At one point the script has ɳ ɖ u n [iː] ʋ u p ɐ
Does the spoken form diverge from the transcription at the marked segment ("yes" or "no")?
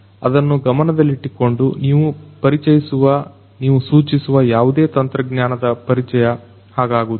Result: no